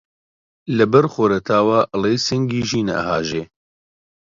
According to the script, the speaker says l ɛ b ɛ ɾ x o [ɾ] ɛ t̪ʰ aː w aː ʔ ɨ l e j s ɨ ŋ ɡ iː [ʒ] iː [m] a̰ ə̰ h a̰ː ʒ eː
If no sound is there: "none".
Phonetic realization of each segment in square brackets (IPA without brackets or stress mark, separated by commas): ɾ, ʒ, n